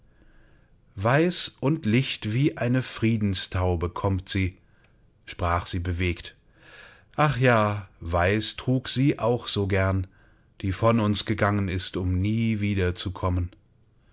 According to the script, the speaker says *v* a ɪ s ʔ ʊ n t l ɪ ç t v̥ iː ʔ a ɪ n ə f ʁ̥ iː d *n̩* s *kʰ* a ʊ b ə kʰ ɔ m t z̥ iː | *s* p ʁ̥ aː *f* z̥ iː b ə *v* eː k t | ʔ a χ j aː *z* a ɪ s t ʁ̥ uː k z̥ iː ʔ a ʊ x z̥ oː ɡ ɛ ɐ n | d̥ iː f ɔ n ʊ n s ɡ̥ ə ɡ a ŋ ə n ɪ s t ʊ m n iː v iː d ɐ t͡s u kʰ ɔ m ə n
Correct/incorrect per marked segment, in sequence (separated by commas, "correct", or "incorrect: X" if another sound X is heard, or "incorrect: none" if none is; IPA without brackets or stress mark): correct, correct, incorrect: tʰ, incorrect: ʃ, incorrect: χ, correct, incorrect: v